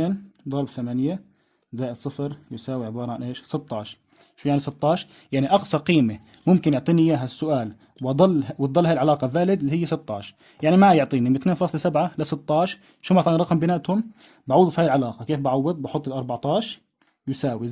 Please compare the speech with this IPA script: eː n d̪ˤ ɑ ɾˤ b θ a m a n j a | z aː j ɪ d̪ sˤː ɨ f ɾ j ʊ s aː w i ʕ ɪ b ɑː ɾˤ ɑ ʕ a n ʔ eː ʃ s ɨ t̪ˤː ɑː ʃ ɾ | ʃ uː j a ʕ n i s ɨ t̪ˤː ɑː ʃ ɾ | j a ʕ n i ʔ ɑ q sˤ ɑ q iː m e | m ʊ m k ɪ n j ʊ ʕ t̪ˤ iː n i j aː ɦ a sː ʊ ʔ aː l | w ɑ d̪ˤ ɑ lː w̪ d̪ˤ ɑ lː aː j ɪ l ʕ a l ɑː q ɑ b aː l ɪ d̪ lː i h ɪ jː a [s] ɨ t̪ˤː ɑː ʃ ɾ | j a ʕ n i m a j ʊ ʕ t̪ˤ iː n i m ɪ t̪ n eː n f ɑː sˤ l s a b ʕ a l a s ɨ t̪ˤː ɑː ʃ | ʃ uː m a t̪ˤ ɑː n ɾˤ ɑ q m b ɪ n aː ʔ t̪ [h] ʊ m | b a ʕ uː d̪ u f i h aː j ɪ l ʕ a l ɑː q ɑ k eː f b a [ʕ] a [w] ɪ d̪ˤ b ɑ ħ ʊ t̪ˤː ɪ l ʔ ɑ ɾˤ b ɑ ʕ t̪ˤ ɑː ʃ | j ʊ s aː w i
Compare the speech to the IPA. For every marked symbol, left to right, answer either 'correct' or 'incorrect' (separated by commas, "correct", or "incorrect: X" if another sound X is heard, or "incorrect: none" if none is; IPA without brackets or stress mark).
correct, correct, correct, incorrect: wː